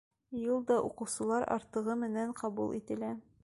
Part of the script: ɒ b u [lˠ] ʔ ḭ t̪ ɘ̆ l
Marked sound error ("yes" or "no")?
no